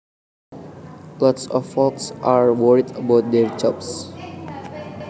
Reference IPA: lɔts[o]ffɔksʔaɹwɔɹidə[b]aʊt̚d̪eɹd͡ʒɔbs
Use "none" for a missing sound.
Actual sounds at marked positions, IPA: ɔ, b

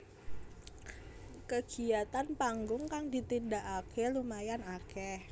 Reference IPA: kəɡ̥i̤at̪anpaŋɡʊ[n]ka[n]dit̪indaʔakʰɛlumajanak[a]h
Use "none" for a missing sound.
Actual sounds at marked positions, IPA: ŋ, ŋ, ɛ

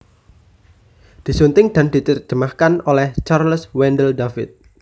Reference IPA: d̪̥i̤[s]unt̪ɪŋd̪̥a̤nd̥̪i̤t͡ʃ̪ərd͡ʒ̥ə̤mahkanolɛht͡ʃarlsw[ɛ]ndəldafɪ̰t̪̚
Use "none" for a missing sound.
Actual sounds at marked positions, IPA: s, ɛ

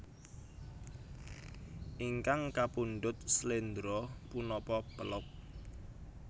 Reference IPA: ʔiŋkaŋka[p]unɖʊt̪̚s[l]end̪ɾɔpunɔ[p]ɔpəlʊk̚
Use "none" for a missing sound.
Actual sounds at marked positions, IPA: p, l, p

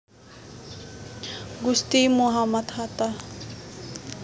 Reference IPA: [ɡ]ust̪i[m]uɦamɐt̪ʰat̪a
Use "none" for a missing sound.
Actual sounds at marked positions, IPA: ɡ, m

